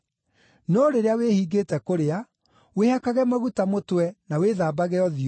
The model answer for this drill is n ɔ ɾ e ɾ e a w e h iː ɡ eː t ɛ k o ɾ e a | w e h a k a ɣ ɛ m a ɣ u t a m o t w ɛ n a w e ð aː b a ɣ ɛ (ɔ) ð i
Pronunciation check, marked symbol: correct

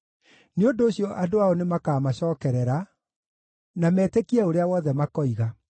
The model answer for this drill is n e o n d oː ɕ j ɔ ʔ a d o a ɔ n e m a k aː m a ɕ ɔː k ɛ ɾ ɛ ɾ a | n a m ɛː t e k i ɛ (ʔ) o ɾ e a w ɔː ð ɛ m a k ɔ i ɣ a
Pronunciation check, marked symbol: incorrect: none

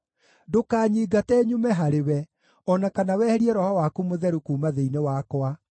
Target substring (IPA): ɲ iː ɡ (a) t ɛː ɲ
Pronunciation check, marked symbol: correct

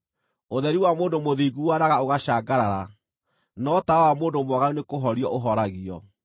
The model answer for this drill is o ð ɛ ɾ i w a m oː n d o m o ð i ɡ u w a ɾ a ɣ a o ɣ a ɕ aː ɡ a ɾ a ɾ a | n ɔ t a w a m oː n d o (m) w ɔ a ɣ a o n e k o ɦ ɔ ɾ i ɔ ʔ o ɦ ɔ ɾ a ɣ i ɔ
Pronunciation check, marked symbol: correct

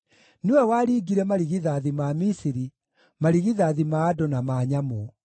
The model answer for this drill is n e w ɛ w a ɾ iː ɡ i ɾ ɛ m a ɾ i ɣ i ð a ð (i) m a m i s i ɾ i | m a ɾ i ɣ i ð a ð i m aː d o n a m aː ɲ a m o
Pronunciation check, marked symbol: correct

